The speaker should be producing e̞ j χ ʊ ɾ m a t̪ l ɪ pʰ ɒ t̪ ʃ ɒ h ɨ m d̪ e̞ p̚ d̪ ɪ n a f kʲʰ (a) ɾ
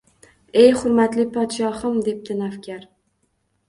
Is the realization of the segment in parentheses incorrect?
no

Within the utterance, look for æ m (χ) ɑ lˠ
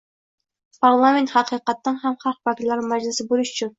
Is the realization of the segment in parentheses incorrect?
no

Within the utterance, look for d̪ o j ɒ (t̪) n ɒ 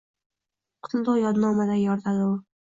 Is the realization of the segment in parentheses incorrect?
yes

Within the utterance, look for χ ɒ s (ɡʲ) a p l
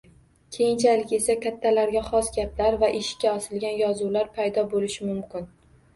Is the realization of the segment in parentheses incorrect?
no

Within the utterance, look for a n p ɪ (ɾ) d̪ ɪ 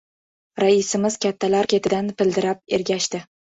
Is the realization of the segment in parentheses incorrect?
yes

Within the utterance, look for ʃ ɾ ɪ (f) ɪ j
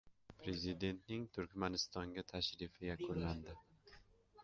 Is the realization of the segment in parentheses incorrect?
no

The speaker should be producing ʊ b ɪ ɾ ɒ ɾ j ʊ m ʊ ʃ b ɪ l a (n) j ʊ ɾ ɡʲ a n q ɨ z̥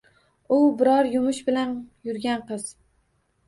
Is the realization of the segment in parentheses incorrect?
no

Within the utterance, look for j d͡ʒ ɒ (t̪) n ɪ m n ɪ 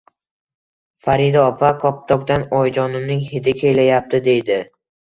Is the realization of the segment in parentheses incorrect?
yes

